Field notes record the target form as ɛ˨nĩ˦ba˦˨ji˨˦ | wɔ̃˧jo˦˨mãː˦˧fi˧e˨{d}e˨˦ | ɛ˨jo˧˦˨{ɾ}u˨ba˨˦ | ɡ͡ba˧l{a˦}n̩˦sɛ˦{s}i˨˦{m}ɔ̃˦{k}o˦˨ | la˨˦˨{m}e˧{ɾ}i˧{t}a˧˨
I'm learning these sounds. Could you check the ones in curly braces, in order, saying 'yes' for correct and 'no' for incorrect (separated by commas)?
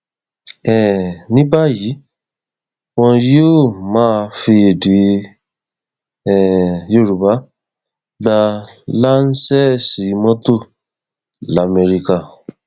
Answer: yes, yes, yes, yes, yes, no, yes, yes, no